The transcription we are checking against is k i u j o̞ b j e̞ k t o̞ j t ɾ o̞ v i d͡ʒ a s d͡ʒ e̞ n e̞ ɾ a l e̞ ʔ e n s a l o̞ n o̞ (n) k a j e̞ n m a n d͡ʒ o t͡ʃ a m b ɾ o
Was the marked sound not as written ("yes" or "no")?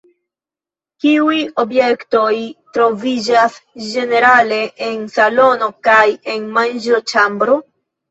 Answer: yes